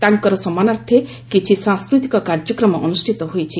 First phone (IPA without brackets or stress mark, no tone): t̪